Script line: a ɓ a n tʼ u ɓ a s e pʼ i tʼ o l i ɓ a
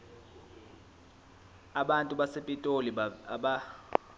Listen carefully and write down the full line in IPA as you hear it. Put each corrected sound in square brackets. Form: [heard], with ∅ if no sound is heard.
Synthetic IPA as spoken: a ɓ a n tʼ u ɓ a s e pʼ i tʼ o l i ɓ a